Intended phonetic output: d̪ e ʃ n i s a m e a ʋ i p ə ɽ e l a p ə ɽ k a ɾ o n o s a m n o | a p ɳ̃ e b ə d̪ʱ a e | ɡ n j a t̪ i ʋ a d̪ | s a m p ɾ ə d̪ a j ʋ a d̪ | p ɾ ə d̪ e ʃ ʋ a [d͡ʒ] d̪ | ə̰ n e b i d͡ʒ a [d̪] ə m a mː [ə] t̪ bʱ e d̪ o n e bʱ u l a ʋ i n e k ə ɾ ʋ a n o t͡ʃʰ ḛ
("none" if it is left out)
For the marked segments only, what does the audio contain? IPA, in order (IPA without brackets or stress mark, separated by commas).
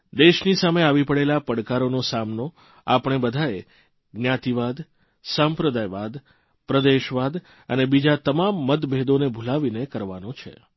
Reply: none, t̪, ə